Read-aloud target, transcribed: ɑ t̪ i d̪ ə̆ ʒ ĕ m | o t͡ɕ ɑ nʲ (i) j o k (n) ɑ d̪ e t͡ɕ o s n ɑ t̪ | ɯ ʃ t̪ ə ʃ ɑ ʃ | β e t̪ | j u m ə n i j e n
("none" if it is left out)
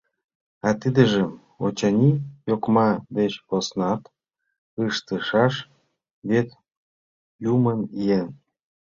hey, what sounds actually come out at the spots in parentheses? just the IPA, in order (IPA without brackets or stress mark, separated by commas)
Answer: i, m